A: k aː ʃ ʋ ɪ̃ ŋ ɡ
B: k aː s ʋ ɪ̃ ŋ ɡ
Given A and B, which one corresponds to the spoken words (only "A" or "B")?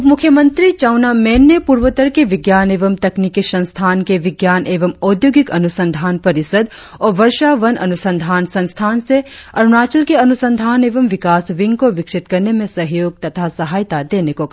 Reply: B